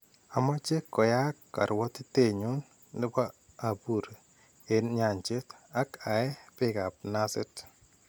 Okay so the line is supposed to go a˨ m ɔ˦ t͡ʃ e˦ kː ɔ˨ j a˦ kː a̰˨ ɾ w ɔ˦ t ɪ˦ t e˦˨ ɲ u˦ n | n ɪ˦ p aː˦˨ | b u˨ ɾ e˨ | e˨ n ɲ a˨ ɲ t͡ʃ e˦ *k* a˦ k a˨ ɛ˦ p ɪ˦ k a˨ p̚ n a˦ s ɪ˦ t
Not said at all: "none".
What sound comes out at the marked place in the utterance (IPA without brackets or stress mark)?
t